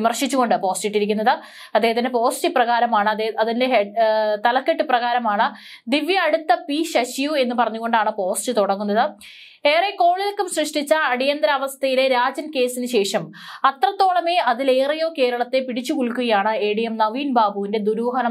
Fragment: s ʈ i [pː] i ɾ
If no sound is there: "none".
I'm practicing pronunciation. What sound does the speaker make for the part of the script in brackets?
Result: ʈː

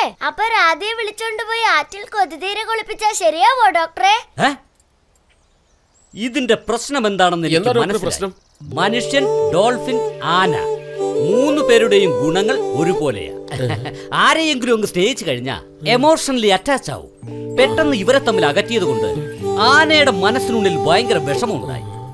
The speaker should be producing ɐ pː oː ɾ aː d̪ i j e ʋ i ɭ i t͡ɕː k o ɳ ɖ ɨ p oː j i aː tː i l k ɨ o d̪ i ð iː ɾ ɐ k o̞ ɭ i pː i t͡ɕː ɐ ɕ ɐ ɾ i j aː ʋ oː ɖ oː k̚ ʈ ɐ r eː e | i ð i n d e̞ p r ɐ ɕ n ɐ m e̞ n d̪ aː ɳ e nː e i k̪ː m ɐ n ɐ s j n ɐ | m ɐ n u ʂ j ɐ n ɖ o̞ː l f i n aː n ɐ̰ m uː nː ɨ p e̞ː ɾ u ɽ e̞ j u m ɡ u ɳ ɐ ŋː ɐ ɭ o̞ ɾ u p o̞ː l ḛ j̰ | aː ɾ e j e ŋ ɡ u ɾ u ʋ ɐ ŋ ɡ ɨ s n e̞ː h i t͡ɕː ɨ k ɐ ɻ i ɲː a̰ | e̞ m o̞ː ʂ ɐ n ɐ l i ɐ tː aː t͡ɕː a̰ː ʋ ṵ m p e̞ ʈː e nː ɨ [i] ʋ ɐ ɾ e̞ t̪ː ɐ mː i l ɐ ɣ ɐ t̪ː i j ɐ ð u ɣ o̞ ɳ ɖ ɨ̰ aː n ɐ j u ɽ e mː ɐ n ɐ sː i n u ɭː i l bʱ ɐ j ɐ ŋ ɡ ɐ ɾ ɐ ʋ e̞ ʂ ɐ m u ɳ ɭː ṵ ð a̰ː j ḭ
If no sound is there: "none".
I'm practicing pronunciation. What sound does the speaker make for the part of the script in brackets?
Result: i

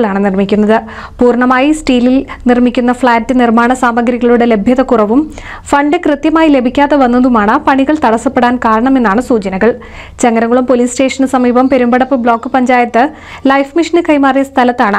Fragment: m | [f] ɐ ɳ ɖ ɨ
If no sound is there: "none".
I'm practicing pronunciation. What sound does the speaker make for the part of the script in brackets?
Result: f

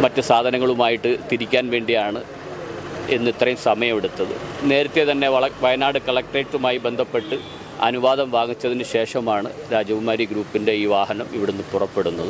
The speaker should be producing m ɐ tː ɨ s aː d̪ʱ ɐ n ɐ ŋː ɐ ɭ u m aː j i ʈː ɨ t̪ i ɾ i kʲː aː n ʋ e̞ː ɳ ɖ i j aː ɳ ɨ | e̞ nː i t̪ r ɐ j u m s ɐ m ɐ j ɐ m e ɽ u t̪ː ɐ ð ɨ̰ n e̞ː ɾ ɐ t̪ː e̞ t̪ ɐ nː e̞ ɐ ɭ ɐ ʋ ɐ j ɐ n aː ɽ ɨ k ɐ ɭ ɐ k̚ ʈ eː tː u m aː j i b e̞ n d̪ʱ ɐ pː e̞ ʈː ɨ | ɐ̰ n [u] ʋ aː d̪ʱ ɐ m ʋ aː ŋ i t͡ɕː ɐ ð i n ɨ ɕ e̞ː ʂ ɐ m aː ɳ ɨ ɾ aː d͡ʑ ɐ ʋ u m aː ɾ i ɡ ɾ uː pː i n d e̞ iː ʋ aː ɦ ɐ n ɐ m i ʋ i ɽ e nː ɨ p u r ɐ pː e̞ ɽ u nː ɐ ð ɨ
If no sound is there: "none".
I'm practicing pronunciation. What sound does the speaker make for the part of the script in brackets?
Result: u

